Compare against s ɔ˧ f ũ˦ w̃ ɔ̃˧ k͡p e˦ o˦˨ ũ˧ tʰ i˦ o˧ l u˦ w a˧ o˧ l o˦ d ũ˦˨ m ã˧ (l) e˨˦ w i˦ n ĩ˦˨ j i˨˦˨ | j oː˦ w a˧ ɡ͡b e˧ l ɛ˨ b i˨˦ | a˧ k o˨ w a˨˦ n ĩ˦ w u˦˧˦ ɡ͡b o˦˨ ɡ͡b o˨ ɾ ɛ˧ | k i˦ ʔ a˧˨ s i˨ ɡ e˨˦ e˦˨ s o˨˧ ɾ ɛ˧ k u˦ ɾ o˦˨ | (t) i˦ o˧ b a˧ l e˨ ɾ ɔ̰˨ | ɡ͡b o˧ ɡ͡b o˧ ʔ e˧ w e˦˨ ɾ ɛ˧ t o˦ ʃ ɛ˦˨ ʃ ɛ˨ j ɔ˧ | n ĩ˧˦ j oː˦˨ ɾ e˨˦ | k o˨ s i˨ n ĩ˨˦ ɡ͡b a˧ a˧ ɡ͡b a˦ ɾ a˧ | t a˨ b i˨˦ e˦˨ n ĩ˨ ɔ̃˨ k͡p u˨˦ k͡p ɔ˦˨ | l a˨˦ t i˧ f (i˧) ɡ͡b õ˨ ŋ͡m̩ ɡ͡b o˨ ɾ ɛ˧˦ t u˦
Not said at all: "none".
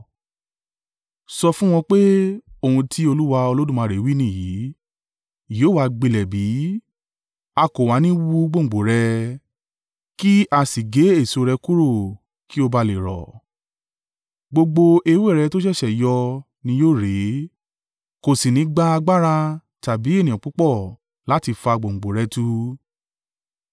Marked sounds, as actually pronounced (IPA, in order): ɾ, k, a˧

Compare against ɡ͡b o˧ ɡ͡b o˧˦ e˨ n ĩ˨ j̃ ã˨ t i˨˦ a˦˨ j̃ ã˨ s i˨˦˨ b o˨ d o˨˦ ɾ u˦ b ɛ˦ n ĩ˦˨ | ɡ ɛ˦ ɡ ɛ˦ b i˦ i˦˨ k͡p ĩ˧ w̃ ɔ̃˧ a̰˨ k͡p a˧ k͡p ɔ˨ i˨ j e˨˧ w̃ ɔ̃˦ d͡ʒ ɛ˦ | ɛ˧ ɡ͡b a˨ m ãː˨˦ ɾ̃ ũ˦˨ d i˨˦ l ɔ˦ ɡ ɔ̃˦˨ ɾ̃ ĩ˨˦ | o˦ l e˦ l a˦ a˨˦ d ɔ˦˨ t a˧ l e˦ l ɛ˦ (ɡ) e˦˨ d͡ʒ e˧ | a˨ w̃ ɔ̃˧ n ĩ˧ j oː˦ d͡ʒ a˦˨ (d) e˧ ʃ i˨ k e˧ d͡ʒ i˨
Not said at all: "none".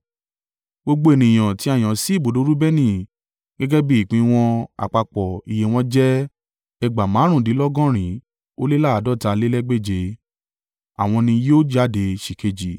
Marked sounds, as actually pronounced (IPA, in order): ɡ͡b, d

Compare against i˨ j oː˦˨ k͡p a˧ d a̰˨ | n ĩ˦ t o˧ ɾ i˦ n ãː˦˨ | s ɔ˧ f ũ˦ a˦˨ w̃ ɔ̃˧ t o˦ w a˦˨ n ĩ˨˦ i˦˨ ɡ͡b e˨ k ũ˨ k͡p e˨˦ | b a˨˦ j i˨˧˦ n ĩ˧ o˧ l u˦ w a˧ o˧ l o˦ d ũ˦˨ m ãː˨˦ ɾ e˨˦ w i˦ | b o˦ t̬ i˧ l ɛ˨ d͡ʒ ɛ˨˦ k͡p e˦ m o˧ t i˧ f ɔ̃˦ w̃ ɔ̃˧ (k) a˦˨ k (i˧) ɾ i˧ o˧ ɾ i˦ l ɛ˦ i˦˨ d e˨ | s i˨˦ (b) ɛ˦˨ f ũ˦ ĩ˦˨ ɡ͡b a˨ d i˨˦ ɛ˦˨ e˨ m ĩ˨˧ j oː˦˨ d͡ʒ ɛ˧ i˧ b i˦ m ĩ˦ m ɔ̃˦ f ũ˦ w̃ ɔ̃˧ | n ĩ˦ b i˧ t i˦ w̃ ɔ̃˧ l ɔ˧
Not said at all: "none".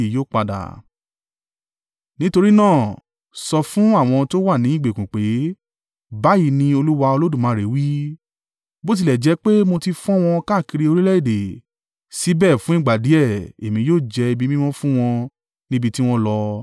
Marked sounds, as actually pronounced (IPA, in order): k, i˧, b

